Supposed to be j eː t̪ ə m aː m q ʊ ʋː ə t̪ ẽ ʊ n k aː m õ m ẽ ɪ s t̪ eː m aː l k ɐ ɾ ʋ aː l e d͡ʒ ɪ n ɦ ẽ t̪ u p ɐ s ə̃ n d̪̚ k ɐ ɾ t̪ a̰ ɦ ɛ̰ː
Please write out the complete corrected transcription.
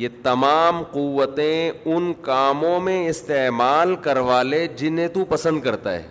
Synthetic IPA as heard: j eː t̪ ɐ m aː m q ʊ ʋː ə t̪ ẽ ʊ n k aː m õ m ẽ ɪ s t̪ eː m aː l k ɐ ɾ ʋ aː l e d͡ʒ ɪ n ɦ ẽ t̪ u p ɐ s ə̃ n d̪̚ k ɐ ɾ t̪ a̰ ɦ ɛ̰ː